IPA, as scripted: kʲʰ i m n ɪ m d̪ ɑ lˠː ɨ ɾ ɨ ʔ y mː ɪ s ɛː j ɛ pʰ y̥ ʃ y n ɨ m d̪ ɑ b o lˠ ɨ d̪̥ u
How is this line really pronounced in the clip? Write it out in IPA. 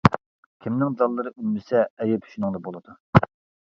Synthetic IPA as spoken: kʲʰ i m n ɪ ŋ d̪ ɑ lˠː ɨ ɾ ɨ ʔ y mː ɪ s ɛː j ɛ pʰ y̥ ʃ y n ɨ ŋ d̪ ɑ b o lˠ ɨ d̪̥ u